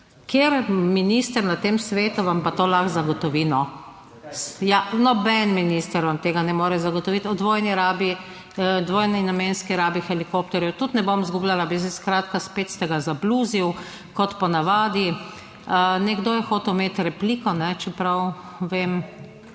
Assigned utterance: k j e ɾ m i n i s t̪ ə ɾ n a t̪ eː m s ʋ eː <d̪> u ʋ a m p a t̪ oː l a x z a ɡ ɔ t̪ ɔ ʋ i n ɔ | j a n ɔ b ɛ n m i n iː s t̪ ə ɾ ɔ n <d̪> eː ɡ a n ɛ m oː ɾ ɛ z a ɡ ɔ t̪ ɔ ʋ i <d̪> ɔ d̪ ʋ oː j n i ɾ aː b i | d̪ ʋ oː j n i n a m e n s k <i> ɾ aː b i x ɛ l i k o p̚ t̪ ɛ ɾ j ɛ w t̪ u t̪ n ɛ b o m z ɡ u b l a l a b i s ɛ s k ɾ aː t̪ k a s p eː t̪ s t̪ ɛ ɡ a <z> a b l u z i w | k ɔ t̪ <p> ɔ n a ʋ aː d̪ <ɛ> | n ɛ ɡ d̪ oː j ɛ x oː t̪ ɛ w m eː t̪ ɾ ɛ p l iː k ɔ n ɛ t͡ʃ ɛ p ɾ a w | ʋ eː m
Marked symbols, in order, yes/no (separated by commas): no, no, no, yes, yes, yes, no